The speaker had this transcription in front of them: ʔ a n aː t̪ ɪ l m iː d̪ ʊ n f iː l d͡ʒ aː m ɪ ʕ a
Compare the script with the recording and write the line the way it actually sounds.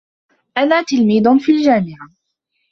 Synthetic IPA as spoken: ʔ a n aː t̪ ɪ l m iː d̪ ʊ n f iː l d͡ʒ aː m ɪ ʕ a